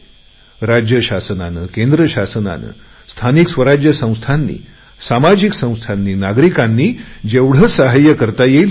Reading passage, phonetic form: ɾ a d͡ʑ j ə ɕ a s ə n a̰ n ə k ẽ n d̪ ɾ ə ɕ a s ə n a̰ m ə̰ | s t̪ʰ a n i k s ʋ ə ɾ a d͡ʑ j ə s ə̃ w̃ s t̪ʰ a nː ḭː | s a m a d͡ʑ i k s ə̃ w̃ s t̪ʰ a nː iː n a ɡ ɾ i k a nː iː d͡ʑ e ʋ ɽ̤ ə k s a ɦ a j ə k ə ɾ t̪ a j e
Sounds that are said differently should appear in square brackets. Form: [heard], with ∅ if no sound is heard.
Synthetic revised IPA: ɾ a d͡ʑ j ə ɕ a s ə n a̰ n ə k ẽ n d̪ ɾ ə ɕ a s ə n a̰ [n] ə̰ | s t̪ʰ a n i k s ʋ ə ɾ a d͡ʑ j ə s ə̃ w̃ s t̪ʰ a nː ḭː | s a m a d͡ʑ i k s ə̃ w̃ s t̪ʰ a nː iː n a ɡ ɾ i k a nː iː d͡ʑ e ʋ ɽ̤ ə [∅] s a ɦ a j ə k ə ɾ t̪ a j e